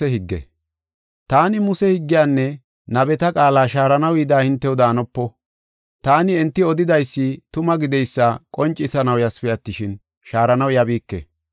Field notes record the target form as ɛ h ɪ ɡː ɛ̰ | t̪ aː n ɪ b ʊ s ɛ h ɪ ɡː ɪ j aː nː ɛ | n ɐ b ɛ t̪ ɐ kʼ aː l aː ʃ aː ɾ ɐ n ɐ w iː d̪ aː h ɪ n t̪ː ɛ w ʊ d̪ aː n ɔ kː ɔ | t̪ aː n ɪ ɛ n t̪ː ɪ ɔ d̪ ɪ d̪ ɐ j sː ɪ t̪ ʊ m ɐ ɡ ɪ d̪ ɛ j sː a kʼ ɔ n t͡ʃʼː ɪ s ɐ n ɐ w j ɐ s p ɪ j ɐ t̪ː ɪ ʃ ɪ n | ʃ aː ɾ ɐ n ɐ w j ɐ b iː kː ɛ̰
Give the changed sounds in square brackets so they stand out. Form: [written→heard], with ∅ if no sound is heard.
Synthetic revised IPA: ɛ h ɪ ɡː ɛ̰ | t̪ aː n ɪ [b→m] ʊ s ɛ h ɪ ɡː ɪ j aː nː ɛ | n ɐ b ɛ t̪ ɐ kʼ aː l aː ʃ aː ɾ ɐ n ɐ w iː d̪ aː h ɪ n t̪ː ɛ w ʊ d̪ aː n ɔ [kː→pː] ɔ | t̪ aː n ɪ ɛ n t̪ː ɪ ɔ d̪ ɪ d̪ ɐ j sː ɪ t̪ ʊ m ɐ ɡ ɪ d̪ ɛ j sː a kʼ ɔ n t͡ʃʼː ɪ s ɐ n ɐ w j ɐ s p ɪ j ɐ t̪ː ɪ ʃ ɪ n | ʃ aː ɾ ɐ n ɐ w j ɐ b iː kː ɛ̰

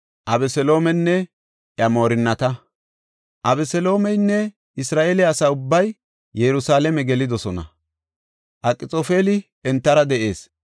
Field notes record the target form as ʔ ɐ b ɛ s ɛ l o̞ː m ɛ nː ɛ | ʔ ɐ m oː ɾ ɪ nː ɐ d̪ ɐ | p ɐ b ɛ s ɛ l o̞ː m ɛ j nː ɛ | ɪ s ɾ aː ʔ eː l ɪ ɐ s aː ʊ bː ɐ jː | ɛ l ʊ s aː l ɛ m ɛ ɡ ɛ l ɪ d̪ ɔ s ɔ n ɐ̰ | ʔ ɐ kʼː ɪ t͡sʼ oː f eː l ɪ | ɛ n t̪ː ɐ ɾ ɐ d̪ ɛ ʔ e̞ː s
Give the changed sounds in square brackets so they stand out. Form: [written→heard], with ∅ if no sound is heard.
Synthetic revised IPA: ʔ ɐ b ɛ s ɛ l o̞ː m ɛ nː ɛ | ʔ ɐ m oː ɾ ɪ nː ɐ [d̪→t̪] ɐ | [p→ʔ] ɐ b ɛ s ɛ l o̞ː m ɛ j nː ɛ | ɪ s ɾ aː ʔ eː l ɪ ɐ s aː ʊ bː ɐ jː | ɛ [l→ɾ] ʊ s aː l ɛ m ɛ ɡ ɛ l ɪ d̪ ɔ s ɔ n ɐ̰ | ʔ ɐ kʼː ɪ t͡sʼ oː f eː l ɪ | ɛ n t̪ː ɐ ɾ ɐ d̪ ɛ ʔ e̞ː s

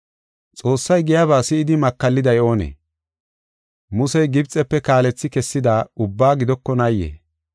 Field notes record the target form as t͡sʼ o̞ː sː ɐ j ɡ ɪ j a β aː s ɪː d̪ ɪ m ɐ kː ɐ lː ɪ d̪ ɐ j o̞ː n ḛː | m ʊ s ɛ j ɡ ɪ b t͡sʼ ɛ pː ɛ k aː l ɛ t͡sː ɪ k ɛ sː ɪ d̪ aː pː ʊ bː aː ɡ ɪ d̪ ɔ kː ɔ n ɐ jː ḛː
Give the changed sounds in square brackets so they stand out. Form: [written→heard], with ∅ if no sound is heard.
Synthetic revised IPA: t͡sʼ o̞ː sː ɐ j ɡ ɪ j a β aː s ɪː d̪ ɪ m ɐ kː ɐ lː ɪ d̪ ɐ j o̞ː n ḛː | m ʊ s ɛ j ɡ ɪ b t͡sʼ ɛ pː ɛ k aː l ɛ t͡sː ɪ k ɛ sː ɪ d̪ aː [pː→∅] ʊ bː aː ɡ ɪ d̪ ɔ kː ɔ n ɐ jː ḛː

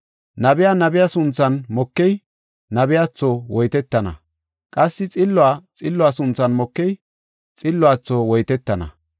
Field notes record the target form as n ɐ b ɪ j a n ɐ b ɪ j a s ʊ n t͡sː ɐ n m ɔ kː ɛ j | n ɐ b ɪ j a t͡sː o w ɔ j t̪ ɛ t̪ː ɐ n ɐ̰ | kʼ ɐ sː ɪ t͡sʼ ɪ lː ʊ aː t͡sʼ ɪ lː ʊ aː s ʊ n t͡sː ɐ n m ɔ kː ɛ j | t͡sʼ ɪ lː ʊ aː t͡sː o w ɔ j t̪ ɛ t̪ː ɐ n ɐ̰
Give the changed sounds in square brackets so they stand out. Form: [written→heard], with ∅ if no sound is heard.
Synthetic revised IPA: n ɐ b ɪ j a n ɐ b ɪ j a s ʊ n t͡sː ɐ n m ɔ kː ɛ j | n ɐ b ɪ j a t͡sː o w ɔ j t̪ ɛ t̪ː ɐ n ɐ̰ | kʼ ɐ sː ɪ t͡sʼ ɪ lː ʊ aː t͡sʼ ɪ lː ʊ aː s ʊ n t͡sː ɐ n m ɔ kː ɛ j | t͡sʼ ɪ lː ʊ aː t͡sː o w ɔ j t̪ ɛ t̪ː ɐ n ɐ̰

